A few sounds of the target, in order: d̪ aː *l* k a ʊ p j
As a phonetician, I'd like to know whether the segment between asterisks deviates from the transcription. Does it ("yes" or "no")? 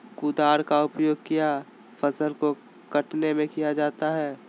yes